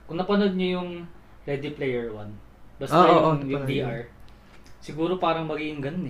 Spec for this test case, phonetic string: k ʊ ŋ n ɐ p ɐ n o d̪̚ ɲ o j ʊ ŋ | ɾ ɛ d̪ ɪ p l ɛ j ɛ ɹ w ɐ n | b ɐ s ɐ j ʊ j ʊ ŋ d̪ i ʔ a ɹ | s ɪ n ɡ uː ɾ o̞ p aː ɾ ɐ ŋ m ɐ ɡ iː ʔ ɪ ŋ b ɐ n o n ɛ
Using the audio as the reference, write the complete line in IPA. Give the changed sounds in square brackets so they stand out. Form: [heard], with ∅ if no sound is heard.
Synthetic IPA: k ʊ ŋ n ɐ p ɐ n o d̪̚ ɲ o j ʊ ŋ | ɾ ɛ d̪ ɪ p l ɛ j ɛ ɹ w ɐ n | b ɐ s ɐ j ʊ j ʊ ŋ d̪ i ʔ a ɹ | s ɪ [∅] ɡ uː ɾ o̞ p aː ɾ ɐ ŋ m ɐ ɡ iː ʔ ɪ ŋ [ɡ] ɐ n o n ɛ